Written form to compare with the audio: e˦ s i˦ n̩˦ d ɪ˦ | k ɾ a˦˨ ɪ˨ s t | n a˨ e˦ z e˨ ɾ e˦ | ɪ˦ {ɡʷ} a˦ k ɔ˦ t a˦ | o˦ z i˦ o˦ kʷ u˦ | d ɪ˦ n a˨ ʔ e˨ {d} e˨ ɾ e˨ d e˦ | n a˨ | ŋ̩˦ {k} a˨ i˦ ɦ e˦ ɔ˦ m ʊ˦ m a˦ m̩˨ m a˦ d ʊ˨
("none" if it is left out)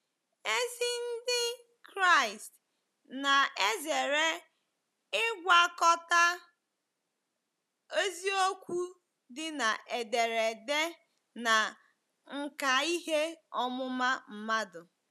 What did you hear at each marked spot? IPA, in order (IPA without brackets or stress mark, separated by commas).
ɡʷ, d, k